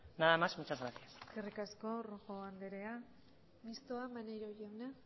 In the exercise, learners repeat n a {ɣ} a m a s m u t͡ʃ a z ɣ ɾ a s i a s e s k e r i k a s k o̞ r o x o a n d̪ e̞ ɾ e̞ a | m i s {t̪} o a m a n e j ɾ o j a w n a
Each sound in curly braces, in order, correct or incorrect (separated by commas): incorrect, correct